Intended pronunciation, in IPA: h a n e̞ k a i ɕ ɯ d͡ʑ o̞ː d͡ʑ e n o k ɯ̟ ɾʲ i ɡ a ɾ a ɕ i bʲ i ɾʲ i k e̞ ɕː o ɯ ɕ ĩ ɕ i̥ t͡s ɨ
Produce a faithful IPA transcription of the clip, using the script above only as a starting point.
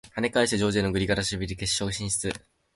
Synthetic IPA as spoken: h a n e̞ k a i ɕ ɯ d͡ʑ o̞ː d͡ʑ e n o ɡ ɯ̟ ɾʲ i ɡ a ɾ a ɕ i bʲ i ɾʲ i k e̞ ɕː o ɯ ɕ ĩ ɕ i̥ t͡s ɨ